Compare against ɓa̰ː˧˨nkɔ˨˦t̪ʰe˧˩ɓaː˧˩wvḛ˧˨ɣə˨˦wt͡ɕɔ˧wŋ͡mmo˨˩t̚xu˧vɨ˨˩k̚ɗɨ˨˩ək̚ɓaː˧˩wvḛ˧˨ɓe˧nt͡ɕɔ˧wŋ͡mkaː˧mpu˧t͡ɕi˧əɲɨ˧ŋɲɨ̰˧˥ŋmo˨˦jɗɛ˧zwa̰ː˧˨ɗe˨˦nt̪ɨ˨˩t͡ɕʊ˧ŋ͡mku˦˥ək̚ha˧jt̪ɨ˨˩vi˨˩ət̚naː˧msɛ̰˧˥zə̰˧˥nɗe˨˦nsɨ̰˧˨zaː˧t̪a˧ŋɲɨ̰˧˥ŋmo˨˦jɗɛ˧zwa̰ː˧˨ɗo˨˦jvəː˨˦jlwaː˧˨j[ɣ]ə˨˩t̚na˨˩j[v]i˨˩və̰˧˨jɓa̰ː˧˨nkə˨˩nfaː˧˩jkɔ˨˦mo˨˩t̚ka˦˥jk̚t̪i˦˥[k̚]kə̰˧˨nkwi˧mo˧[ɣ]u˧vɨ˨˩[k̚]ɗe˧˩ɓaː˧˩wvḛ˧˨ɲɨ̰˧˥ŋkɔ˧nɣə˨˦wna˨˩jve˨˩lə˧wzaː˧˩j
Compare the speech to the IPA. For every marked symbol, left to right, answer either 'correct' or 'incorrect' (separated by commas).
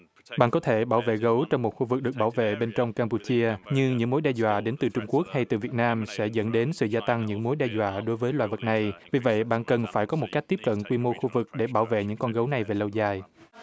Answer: incorrect, correct, incorrect, incorrect, correct